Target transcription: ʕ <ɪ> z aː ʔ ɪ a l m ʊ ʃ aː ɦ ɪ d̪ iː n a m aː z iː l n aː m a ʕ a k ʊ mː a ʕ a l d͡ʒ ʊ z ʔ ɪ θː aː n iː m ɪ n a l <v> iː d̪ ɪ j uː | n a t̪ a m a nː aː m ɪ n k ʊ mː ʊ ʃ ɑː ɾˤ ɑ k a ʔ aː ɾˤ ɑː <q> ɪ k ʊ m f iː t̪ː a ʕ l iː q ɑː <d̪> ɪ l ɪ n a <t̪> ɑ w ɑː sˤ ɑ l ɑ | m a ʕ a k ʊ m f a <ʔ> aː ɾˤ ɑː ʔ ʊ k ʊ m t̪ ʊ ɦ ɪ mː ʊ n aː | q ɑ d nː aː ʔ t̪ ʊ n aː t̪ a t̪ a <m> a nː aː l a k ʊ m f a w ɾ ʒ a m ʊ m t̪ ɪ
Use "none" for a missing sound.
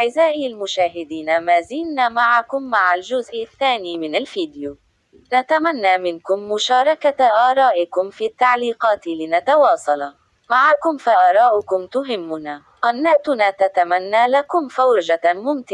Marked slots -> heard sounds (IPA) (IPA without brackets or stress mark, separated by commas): ɪ, f, ʔ, t̪, t̪, ʔ, m